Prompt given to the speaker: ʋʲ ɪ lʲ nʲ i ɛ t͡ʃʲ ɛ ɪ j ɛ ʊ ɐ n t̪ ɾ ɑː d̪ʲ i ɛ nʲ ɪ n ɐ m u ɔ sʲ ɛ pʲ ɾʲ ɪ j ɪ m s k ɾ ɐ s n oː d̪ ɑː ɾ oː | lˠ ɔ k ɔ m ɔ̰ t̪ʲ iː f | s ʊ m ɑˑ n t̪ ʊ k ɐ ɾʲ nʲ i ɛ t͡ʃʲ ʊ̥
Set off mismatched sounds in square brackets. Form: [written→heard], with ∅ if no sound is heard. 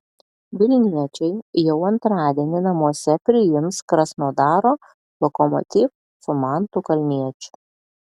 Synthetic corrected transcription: ʋʲ ɪ lʲ nʲ i ɛ t͡ʃʲ ɛ ɪ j ɛ ʊ ɐ n t̪ ɾ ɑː d̪ʲ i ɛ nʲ ɪ n ɐ m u ɔ sʲ ɛ pʲ ɾʲ ɪ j ɪ m s k ɾ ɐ s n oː d̪ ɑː ɾ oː | lˠ ɔ k ɔ m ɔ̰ t̪ʲ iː f | s ʊ m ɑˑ n t̪ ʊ k ɐ [ɾʲ→lʲ] nʲ i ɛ t͡ʃʲ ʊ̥